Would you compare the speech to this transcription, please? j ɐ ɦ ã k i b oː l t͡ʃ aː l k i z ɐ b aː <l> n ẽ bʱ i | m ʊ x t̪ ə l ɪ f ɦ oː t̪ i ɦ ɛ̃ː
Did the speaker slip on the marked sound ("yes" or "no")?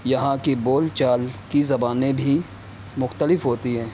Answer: yes